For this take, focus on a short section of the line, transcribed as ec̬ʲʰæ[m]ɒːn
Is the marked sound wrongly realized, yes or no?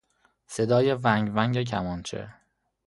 no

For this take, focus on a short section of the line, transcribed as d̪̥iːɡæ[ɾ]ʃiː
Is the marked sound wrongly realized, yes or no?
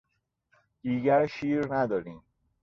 no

